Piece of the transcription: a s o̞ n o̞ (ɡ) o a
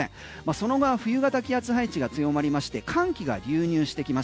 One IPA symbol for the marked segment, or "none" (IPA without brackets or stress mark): ɡ